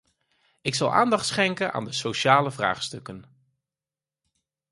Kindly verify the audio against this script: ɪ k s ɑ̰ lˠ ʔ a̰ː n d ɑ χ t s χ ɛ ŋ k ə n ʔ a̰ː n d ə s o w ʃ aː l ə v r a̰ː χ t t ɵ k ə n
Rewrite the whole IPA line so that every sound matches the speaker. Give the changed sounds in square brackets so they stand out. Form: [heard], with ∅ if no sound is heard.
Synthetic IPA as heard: ɪ k s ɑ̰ lˠ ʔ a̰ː n d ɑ χ t s χ ɛ ŋ k ə n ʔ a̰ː n d ə s o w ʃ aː l ə v r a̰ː χ [s] t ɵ k ə n